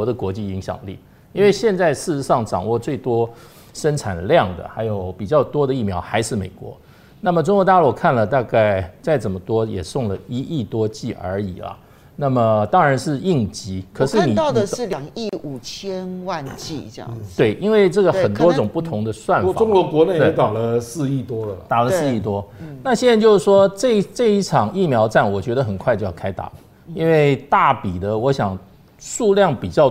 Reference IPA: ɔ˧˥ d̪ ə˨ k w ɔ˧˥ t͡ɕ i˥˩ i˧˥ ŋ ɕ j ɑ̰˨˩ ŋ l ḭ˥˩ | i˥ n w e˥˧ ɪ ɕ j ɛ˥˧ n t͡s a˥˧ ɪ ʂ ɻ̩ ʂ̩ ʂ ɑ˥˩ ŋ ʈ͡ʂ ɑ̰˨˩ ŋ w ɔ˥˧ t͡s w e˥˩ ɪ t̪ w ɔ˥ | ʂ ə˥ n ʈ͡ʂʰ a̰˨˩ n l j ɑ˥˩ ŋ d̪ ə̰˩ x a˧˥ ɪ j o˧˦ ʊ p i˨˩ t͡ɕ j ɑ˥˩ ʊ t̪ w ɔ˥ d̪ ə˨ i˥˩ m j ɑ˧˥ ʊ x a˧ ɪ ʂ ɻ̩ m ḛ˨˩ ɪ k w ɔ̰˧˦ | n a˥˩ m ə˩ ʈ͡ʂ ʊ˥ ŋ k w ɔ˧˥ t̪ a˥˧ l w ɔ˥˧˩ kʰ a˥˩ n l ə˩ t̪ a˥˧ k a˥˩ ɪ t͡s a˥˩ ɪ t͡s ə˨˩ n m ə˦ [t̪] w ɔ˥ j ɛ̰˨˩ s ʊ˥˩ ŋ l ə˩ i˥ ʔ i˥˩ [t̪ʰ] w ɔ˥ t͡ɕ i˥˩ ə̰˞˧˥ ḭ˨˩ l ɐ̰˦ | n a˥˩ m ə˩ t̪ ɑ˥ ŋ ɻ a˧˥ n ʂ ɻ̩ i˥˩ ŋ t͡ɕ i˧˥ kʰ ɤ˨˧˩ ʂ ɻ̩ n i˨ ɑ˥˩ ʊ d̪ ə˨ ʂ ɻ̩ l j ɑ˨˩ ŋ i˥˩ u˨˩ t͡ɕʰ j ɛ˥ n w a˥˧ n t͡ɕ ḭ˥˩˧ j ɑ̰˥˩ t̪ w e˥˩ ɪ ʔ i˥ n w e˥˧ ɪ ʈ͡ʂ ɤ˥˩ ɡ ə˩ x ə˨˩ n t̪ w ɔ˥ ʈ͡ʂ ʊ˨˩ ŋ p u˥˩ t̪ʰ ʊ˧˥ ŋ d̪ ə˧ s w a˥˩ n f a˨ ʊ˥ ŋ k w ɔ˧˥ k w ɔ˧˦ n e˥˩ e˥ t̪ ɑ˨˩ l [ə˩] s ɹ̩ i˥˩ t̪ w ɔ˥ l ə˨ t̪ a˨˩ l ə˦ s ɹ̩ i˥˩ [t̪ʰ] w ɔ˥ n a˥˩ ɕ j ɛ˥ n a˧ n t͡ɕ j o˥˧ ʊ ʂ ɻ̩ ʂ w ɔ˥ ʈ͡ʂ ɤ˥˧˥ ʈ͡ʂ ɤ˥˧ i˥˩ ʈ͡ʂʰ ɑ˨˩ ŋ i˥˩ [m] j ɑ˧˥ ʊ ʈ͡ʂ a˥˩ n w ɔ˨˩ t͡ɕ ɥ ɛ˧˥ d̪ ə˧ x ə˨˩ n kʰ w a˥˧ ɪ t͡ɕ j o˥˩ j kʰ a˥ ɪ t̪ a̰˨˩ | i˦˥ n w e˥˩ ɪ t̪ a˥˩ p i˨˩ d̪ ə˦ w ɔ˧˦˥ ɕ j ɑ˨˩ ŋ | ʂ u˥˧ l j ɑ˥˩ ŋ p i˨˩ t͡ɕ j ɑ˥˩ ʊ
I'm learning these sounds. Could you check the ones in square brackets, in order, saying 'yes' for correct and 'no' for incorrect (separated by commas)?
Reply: yes, no, no, no, yes